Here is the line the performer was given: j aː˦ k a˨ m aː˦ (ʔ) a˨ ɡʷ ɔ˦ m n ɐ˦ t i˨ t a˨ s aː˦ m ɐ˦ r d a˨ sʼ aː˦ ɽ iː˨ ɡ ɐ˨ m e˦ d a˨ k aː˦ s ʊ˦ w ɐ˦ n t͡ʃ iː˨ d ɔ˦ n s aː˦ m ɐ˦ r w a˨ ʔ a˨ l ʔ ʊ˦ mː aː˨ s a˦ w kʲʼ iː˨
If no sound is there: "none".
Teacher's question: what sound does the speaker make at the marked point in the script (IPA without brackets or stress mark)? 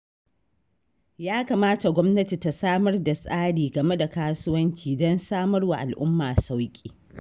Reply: t